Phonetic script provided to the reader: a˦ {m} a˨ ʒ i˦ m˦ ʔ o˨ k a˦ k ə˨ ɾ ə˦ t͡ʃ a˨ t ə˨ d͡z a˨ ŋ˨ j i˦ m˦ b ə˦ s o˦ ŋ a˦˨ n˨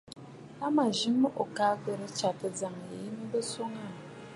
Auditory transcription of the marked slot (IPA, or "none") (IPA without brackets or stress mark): m